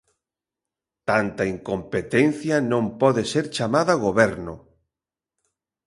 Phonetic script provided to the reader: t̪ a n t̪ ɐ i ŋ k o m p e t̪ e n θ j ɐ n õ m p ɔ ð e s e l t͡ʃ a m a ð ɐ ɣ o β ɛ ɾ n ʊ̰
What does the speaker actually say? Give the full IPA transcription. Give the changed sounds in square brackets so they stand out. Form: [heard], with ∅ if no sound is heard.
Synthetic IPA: t̪ a n t̪ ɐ i ŋ k o m p e t̪ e n θ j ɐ n õ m p ɔ ð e s e [ɾ] t͡ʃ a m a ð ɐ ɣ o β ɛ ɾ n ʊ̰